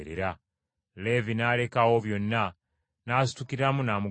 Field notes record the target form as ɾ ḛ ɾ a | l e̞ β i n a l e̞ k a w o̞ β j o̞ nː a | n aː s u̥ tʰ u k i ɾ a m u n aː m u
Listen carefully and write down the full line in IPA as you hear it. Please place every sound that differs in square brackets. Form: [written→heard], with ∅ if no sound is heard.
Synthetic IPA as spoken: ɾ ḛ ɾ a | l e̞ [β→v] i n a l e̞ k a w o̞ β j o̞ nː a | n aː s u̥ [tʰ→t] u k i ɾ a m u n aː m u